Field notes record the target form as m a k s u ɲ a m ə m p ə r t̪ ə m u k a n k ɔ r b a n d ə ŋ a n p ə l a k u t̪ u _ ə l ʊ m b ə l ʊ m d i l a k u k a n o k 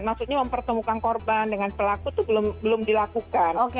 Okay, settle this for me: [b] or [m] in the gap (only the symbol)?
b